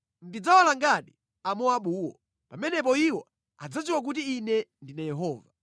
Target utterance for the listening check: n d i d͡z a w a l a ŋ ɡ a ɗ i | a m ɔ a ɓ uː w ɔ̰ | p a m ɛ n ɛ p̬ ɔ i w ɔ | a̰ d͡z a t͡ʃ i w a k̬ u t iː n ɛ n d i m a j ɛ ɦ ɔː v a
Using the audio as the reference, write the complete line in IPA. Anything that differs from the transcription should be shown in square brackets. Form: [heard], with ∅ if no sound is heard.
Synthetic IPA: n d i d͡z a w a l a ŋ ɡ a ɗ i | a m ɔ a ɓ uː w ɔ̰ | p a m ɛ n ɛ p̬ ɔ i w ɔ | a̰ d͡z a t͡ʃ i w a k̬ u t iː n ɛ n d i [n] a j ɛ ɦ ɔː v a